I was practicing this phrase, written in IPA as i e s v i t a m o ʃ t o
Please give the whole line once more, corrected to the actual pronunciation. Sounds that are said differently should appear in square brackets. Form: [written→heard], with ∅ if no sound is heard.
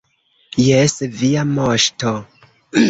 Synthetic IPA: [i→j] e s v i [t→∅] a m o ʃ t o